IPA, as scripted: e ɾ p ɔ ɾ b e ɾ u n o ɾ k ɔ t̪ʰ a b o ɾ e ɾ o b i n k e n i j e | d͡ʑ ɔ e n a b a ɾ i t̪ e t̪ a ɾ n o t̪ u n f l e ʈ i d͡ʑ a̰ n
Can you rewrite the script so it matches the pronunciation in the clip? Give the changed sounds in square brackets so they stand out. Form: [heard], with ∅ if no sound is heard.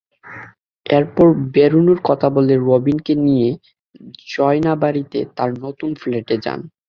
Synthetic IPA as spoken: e ɾ p ɔ ɾ b e ɾ u n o ɾ k ɔ t̪ʰ a b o [l] e ɾ o b i n k e n i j e | d͡ʑ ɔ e n a b a ɾ i t̪ e t̪ a ɾ n o t̪ u n f l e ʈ [e] d͡ʑ a̰ n